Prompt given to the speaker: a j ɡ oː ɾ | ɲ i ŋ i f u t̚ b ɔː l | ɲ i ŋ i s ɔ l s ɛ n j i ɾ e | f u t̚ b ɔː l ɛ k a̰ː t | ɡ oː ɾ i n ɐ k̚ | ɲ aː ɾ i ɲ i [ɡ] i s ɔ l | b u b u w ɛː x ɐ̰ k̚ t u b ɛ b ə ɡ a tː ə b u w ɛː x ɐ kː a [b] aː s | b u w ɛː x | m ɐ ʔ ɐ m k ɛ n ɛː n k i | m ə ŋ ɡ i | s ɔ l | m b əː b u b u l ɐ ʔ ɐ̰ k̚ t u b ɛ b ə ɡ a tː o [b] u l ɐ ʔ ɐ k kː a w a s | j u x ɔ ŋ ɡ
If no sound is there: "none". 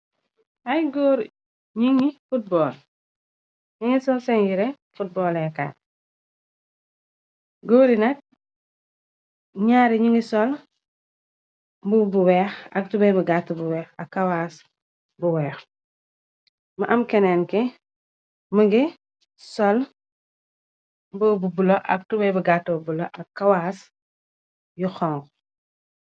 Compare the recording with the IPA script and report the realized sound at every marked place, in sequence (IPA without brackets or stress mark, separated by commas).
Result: ŋ, w, b